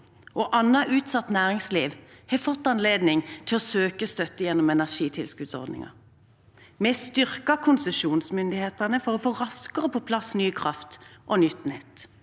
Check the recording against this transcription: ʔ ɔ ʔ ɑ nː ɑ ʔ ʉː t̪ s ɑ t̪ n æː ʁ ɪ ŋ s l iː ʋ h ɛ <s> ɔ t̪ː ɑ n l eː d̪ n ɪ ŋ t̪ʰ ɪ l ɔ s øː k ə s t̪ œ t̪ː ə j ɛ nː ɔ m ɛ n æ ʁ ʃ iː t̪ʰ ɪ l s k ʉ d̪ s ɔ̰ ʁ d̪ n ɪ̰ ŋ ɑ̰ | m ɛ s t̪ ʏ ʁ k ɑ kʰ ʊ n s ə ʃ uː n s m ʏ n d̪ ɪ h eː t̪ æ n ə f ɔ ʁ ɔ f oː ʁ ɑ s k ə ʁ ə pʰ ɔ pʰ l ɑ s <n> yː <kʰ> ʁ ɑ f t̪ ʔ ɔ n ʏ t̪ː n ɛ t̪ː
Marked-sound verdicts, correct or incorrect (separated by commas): incorrect, correct, correct